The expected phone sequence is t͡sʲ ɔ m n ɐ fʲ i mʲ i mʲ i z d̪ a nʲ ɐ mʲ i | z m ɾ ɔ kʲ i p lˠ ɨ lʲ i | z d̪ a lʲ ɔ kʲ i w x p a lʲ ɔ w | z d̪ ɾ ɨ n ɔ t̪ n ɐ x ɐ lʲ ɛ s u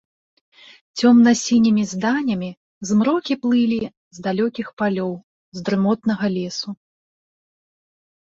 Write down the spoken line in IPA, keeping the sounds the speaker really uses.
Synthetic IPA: t͡sʲ ɔ m n ɐ sʲ i nʲ i mʲ i z d̪ a nʲ ɐ mʲ i | z m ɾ ɔ kʲ i p lˠ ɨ lʲ i | z d̪ a lʲ ɔ kʲ i x p a lʲ ɔ w | z d̪ ɾ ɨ m ɔ t̪ n ɐ ɣ ɐ lʲ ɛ s u

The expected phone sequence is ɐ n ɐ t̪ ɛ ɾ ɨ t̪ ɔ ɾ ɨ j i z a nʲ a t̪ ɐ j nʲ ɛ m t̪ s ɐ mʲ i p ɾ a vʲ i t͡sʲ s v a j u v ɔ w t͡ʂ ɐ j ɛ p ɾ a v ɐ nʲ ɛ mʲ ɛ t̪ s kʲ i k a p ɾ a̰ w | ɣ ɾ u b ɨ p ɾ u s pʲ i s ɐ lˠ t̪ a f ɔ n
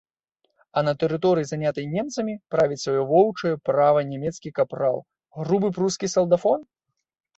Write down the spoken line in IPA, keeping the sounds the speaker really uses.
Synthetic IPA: ɐ n ɐ t̪ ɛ ɾ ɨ t̪ ɔ ɾ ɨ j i z a nʲ a t̪ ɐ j nʲ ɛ m t̪ s ɐ mʲ i p ɾ a vʲ i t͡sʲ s v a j ɔ v ɔ w t͡ʂ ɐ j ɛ p ɾ a v ɐ nʲ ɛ mʲ ɛ t̪ s kʲ i k a p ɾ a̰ w | ɣ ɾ u b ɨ p ɾ u s kʲ i s ɐ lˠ d̪ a f ɔ n

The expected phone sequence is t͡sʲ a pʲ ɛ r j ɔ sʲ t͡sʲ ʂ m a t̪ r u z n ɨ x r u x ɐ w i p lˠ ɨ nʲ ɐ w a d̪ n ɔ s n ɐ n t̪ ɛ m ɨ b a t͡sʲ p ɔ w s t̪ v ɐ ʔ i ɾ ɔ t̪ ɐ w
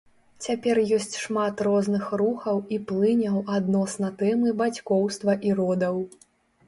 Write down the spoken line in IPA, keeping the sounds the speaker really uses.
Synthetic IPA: t͡sʲ a pʲ ɛ r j ɔ sʲ t͡sʲ ʂ m a t̪ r ɔ z n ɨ x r u x ɐ w i p lˠ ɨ nʲ ɐ w a d̪ n ɔ s n ɐ t̪ ɛ m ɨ b a t͡sʲ k ɔ w s t̪ v ɐ ʔ i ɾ ɔ d̪ ɐ w

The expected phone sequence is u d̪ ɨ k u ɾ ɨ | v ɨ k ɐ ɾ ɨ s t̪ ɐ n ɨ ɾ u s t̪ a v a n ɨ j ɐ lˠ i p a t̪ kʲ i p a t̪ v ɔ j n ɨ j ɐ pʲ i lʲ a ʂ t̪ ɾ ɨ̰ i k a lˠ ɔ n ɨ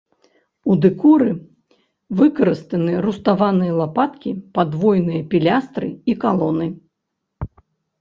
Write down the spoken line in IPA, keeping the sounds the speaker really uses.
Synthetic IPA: u d̪ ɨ k u ɾ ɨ | v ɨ k ɐ ɾ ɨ s t̪ ɐ n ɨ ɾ u s t̪ a v a n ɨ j ɐ lˠ a p a t̪ kʲ i p a d̪ v ɔ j n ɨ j ɐ pʲ i lʲ a s t̪ ɾ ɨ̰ i k a lˠ ɔ n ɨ

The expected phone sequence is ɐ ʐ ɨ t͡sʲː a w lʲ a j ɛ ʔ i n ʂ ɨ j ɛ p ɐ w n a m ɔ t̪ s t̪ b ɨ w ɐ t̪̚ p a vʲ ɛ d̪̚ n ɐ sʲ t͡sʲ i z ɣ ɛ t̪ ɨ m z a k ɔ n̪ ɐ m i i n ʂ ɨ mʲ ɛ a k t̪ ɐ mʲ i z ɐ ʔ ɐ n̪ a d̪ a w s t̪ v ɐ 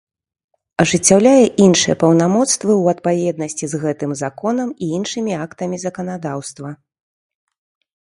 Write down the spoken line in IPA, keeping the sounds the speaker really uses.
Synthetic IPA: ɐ ʐ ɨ t͡sʲː a w lʲ a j ɛ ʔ i n ʂ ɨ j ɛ p ɐ w n a m ɔ t̪ s t̪ v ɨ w ɐ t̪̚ p a vʲ ɛ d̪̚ n ɐ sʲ t͡sʲ i z ɣ ɛ t̪ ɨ m z a k ɔ n̪ ɐ m i i n ʂ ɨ mʲ i a k t̪ ɐ mʲ i z ɐ k ɐ n̪ a d̪ a w s t̪ v ɐ

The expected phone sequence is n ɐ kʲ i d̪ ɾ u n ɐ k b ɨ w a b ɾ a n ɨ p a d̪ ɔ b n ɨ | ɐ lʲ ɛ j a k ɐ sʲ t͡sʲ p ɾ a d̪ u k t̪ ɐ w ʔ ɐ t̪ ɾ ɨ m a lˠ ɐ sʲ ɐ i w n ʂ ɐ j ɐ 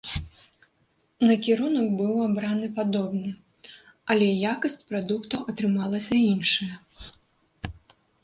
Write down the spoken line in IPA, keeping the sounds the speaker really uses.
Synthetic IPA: n ɐ kʲ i ɾ u n ɐ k b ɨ w a b ɾ a n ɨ p a d̪ ɔ b n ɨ | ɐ lʲ ɛ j a k ɐ sʲ t͡sʲ p ɾ a d̪ u k t̪ ɐ w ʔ ɐ t̪ ɾ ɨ m a lˠ ɐ sʲ ɐ i n ʂ ɐ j ɐ

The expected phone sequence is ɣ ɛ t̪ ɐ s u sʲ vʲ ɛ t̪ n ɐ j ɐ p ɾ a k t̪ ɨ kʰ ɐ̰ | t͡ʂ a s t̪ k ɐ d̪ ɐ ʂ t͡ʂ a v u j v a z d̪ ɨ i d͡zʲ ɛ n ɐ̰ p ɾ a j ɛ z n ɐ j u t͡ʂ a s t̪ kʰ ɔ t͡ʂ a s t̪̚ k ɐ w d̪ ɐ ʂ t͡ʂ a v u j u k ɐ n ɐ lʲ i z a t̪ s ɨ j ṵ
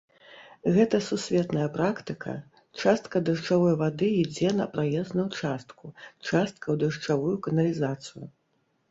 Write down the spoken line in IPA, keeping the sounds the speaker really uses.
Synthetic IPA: ɣ ɛ t̪ ɐ s u sʲ vʲ ɛ t̪ n ɐ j ɐ p ɾ a k t̪ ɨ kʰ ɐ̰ | t͡ʂ a s t̪ k ɐ d̪ ɐ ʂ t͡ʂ a v ɔ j v a d̪ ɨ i d͡zʲ ɛ n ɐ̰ p ɾ a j ɛ z n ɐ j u t͡ʂ a s t̪ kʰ u t͡ʂ a s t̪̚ k ɐ w d̪ ɐ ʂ t͡ʂ a v u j u k ɐ n ɐ lʲ i z a t̪ s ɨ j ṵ

